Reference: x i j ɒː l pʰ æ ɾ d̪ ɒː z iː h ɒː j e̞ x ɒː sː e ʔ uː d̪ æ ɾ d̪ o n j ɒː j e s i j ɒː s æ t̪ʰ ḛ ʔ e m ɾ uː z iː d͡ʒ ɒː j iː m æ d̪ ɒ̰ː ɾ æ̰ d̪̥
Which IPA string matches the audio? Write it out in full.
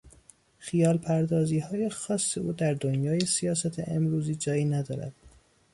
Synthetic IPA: x i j ɒː l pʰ æ ɾ d̪ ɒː z iː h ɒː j e̞ x ɒː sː e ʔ uː d̪ æ ɾ d̪ o n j ɒː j e s i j ɒː s æ t̪ʰ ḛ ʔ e m ɾ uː z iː d͡ʒ ɒː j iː n æ d̪ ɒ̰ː ɾ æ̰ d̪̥